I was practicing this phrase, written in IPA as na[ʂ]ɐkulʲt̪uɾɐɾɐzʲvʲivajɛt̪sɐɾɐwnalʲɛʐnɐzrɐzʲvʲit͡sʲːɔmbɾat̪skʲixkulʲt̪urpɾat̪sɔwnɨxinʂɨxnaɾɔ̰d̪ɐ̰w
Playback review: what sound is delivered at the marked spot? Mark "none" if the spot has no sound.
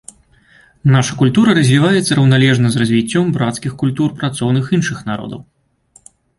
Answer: ʂ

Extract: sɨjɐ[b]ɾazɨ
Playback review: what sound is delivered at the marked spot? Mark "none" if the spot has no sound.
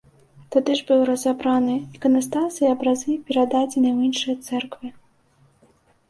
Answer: b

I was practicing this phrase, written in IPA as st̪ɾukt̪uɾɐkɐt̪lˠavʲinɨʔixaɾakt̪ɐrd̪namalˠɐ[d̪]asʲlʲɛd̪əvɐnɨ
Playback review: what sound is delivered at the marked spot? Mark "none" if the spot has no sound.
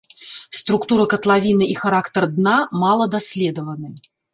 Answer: d̪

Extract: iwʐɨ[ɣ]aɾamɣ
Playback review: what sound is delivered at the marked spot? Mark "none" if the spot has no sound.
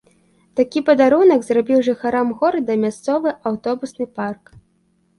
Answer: x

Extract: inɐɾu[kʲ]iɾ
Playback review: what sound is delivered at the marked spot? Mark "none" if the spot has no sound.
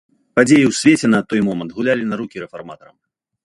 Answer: kʲ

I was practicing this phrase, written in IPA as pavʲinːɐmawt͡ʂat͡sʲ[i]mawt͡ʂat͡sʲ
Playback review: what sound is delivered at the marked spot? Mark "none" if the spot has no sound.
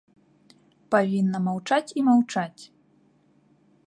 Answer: i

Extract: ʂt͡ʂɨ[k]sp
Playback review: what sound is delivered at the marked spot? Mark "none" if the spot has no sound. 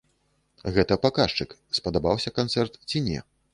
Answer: k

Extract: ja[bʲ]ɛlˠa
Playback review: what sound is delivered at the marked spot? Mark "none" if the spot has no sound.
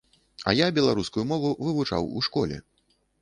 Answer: bʲ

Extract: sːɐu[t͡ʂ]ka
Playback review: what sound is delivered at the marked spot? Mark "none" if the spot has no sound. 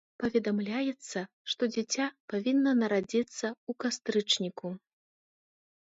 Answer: none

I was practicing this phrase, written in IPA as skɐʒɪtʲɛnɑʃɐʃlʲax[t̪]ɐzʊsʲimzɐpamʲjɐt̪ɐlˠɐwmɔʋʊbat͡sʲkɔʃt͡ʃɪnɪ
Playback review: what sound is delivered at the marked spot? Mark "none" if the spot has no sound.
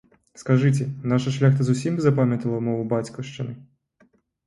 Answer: t̪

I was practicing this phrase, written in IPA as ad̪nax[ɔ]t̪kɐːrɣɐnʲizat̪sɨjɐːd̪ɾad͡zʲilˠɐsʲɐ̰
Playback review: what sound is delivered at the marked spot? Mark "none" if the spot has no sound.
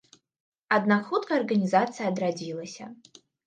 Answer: u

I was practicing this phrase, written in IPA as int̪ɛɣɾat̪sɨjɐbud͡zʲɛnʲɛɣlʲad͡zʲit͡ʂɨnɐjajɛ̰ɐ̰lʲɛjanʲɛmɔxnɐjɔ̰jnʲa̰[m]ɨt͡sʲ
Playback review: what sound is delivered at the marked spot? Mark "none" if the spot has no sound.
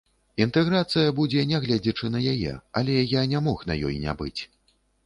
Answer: b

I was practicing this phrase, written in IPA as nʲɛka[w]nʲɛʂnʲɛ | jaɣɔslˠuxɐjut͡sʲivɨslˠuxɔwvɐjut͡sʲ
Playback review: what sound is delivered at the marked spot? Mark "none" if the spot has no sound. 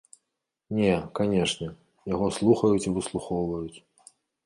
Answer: none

